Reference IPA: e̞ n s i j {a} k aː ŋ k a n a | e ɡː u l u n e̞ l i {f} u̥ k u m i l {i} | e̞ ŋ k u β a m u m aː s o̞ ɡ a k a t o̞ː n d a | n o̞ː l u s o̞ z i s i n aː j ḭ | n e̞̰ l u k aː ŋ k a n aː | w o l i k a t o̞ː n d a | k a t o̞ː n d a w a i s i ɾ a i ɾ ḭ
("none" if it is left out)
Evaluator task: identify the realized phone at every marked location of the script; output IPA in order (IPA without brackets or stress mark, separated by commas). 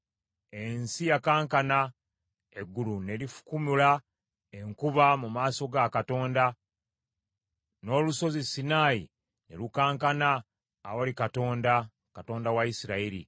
a, f, a